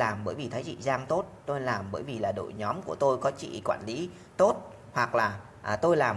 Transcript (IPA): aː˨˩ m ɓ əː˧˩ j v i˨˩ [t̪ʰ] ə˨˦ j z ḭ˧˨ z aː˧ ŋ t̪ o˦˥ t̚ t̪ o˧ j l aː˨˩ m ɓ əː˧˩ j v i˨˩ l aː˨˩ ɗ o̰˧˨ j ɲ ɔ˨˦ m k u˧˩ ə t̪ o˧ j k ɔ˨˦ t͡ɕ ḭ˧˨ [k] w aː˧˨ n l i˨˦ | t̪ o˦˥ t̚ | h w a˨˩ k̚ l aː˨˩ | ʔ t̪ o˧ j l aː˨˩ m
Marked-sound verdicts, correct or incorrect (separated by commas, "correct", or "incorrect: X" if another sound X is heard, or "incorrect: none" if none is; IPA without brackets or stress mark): correct, correct